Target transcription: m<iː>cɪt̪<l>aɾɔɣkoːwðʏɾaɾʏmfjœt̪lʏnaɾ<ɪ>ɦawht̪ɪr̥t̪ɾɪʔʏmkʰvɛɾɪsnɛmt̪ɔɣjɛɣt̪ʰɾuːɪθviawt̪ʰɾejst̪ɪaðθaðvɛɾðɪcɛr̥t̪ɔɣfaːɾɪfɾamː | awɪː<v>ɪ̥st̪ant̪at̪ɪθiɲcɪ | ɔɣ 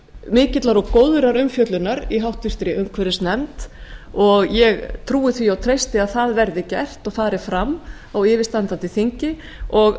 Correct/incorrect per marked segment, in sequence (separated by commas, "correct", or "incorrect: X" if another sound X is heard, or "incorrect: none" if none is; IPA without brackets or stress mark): incorrect: ɪː, correct, incorrect: i, correct